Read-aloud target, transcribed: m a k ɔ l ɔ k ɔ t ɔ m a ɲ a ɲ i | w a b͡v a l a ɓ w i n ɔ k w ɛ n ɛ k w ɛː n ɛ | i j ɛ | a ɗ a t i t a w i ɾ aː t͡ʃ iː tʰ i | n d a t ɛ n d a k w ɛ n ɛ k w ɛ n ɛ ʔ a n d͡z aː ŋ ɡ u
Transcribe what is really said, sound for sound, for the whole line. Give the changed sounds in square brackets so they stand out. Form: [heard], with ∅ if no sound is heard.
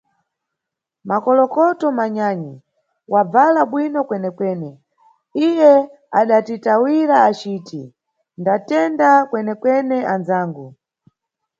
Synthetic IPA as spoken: m a k ɔ l ɔ k ɔ t ɔ m a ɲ a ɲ i | w a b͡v a l a ɓ w i n ɔ k w ɛ n ɛ k w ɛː n ɛ | i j ɛ | a ɗ a t i t a w i ɾ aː t͡ʃ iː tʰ i | n d a t ɛ n d a k w ɛ n ɛ k w ɛ n ɛ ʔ a n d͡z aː ŋ ɡ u